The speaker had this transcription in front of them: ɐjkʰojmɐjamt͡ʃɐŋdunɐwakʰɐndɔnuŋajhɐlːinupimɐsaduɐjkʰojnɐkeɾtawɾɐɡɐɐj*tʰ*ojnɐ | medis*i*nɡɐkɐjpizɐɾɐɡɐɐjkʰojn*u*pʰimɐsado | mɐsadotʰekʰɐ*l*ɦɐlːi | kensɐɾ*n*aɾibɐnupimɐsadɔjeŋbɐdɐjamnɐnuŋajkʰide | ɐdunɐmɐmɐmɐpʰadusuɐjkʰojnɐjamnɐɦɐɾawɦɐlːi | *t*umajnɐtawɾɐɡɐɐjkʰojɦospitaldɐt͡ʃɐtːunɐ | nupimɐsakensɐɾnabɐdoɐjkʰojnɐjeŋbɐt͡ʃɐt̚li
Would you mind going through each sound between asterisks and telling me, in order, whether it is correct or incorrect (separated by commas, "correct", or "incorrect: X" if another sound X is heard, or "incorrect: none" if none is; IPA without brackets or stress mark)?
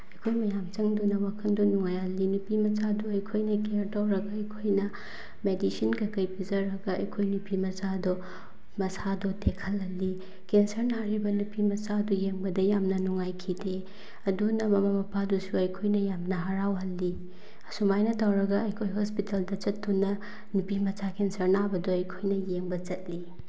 incorrect: kʰ, correct, correct, correct, correct, incorrect: s